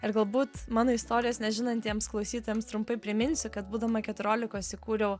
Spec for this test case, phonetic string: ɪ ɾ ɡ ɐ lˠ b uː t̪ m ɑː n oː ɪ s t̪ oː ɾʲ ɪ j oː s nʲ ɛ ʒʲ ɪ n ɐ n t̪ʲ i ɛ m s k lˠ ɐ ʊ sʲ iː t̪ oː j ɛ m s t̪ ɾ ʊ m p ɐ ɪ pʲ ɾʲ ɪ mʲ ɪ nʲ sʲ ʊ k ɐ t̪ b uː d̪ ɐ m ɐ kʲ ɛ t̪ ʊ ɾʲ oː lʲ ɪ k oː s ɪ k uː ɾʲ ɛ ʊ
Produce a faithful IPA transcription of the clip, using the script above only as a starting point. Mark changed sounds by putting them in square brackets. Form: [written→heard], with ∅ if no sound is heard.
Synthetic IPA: ɪ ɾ ɡ ɐ lˠ b uː t̪ m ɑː n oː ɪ s t̪ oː ɾʲ ɪ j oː s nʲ ɛ ʒʲ ɪ n ɐ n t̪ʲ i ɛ m s k lˠ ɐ ʊ sʲ iː t̪ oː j ɛ m s t̪ ɾ ʊ m p ɐ ɪ pʲ ɾʲ ɪ mʲ ɪ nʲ sʲ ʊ k ɐ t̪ b uː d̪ ɐ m ɐ kʲ ɛ t̪ ʊ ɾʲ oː lʲ ɪ k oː s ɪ k uː ɾʲ ɛ ʊ